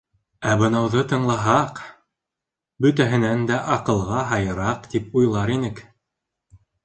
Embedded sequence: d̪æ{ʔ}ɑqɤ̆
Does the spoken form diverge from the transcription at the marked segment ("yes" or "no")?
no